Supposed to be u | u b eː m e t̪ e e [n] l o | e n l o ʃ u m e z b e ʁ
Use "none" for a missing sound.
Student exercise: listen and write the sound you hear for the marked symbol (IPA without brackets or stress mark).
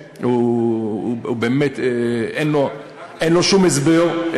n